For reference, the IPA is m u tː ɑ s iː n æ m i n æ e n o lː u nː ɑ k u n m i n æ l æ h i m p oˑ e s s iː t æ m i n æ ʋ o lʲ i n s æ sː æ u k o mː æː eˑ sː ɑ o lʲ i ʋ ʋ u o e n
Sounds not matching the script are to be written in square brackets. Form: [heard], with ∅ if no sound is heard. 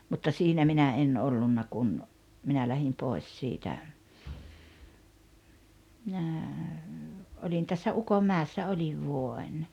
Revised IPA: m u tː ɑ s iː n æ m i n æ e n o lː u nː ɑ k u n m i n æ l æ h i m p oˑ e s s iː t æ m i n æ [∅] o lʲ i n [t] æ sː æ u k o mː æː eˑ sː ɑ o lʲ i ʋ ʋ u o e n